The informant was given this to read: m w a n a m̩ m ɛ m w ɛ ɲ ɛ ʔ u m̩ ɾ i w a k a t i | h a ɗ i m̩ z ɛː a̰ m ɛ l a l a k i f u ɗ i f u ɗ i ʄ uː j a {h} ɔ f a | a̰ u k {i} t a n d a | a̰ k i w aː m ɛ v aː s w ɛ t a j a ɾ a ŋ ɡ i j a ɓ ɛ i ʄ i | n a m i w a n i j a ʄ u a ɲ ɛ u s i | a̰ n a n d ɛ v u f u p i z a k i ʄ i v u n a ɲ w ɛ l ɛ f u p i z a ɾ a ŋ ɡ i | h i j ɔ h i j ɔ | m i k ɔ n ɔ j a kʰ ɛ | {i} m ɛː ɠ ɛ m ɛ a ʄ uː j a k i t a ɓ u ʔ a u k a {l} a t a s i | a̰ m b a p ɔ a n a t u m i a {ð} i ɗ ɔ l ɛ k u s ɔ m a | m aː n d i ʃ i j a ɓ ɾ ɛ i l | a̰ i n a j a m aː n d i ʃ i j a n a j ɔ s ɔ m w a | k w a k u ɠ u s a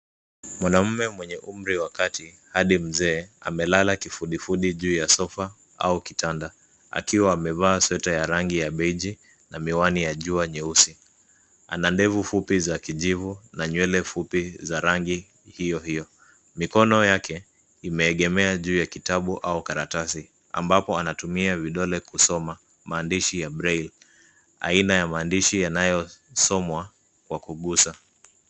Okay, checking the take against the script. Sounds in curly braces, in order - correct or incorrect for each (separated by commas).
incorrect, correct, correct, incorrect, incorrect